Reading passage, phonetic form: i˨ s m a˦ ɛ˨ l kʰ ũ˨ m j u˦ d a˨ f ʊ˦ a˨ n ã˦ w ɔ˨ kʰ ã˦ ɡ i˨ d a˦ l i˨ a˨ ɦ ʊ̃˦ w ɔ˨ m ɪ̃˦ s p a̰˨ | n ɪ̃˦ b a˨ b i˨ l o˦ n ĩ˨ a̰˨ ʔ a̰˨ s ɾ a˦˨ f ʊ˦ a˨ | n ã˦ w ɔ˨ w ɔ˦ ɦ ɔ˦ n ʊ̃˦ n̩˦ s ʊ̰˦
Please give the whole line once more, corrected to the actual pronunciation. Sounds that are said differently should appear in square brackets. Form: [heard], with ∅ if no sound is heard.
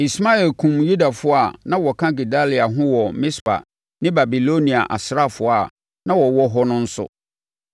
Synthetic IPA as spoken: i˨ s m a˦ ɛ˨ l kʰ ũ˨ m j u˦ d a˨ f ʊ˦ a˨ n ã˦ w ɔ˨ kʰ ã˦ ɡ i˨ d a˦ l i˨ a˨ ɦ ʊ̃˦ w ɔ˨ m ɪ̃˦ s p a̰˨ | n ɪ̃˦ b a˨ b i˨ l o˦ n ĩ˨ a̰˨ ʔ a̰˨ s ɾ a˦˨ f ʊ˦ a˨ | n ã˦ w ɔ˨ w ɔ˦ ɦ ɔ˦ n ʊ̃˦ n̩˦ s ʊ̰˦